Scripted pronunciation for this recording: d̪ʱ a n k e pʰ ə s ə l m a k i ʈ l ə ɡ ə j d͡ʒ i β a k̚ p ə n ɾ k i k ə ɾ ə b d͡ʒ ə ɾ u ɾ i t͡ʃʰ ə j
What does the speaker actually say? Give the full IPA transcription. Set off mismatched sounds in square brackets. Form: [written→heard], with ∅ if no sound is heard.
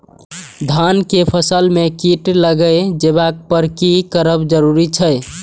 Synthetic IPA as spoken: d̪ʱ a n k e pʰ ə s ə l m [a→e] k i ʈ l ə ɡ ə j d͡ʒ [i→e] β a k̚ p ə [n→∅] ɾ k i k ə ɾ ə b d͡ʒ ə ɾ u ɾ i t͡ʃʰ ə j